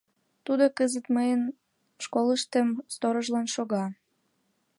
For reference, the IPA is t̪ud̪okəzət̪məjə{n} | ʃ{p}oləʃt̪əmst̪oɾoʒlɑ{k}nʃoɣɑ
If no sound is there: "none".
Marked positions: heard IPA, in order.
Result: n, k, none

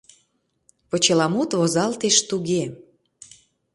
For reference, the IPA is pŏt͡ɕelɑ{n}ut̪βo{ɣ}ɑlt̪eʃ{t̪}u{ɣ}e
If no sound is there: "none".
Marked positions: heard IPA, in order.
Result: m, z, t̪, ɣ

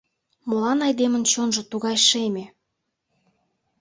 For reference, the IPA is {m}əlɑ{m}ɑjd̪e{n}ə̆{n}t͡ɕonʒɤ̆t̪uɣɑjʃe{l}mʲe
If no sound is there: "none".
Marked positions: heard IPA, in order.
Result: m, n, m, n, none

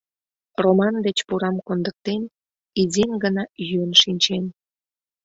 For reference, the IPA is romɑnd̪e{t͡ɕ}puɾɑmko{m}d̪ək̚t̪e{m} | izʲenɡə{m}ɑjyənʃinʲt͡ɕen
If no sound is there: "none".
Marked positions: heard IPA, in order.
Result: t͡ɕ, n, n, n

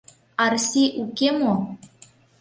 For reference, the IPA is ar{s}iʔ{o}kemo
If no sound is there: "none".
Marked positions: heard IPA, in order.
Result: s, u

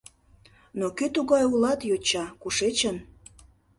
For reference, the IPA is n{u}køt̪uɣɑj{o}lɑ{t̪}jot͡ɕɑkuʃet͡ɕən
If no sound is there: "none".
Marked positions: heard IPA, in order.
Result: o, u, t̪

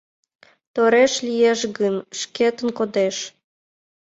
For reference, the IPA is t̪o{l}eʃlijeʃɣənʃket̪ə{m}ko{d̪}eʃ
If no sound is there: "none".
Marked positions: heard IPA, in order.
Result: ɾ, n, d̪

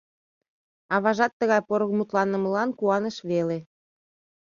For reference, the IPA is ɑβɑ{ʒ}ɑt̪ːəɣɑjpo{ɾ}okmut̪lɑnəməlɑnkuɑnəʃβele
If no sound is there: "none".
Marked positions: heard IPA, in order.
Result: ʒ, ɾ

